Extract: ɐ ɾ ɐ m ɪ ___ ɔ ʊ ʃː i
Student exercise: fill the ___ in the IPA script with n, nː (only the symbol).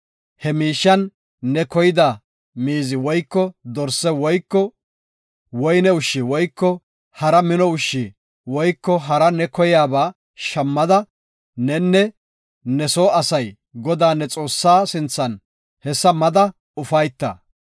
n